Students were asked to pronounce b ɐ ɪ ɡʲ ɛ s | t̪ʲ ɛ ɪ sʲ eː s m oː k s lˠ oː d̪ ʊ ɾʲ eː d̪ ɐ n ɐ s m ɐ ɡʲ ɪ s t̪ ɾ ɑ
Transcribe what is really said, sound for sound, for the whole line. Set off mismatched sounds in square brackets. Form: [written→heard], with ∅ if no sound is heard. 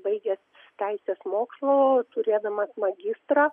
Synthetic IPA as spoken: b ɐ ɪ ɡʲ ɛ s | t̪ʲ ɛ ɪ sʲ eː s m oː k s lˠ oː [d̪→t̪] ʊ ɾʲ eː d̪ ɐ [n→m] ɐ s m ɐ ɡʲ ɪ s t̪ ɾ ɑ